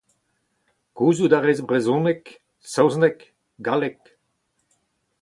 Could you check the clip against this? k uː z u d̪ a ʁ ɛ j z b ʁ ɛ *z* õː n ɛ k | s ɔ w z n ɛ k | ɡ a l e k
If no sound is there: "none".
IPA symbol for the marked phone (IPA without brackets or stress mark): z